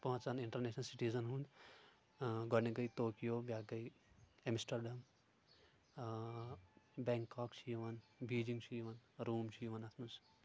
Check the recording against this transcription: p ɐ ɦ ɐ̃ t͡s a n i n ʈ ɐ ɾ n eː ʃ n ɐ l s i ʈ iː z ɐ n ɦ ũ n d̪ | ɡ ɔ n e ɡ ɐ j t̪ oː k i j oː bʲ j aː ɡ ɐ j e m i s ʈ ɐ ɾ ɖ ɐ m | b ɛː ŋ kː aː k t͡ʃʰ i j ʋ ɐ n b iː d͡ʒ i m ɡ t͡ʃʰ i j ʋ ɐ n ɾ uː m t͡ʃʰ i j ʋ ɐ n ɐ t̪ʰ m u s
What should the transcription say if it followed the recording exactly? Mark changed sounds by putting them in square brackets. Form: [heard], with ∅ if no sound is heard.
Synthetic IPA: p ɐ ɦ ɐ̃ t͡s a n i [ɳ] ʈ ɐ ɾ n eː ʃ n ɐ l s i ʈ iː z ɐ n ɦ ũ n d̪ | ɡ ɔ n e ɡ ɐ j t̪ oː k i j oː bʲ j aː ɡ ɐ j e m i s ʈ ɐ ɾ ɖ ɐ m | b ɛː ŋ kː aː k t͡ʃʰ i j ʋ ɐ n b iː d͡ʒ i [ŋ] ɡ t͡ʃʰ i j ʋ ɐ n ɾ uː m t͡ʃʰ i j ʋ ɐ n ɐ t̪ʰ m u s